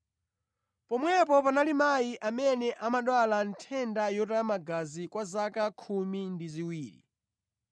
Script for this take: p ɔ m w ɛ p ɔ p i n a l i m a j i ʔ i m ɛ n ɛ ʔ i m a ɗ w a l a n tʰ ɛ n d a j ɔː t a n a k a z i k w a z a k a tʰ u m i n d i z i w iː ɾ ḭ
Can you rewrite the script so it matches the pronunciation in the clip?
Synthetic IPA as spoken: p ɔ m w ɛ p ɔ p a n a l i m a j i ʔ a m ɛ n ɛ ʔ a m a ɗ w a l a n tʰ ɛ n d a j ɔ t a m a ɡ a z i k w a z a k a kʰ u m i n d i z i w iː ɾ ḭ